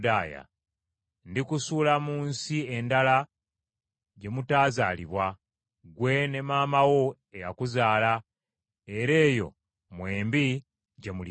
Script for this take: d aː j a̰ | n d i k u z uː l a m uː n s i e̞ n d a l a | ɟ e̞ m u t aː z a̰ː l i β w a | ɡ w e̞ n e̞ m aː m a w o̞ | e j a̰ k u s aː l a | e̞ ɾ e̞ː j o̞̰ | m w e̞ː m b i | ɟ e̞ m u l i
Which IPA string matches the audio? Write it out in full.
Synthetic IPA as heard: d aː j a̰ | n d i k u s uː l a m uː n s i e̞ n d a l a | ɟ e̞ m u t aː z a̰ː l i β w a | ɡ w e̞ n e̞ m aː m a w o̞ | e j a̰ k u z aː l a | e̞ ɾ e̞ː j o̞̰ | m w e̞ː m b i | ɟ e̞ m u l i